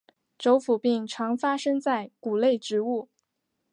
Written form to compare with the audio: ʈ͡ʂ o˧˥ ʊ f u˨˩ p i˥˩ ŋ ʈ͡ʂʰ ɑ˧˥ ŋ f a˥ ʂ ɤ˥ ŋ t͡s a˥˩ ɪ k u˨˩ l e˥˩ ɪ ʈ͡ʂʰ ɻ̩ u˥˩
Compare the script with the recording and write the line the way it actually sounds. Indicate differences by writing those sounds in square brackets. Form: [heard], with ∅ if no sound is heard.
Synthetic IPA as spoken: ʈ͡ʂ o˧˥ ʊ f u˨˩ p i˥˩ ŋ ʈ͡ʂʰ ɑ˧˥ ŋ f a˥ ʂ ɤ˥ ŋ t͡s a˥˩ ɪ k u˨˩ l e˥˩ ɪ [ʈ͡ʂ] ɻ̩ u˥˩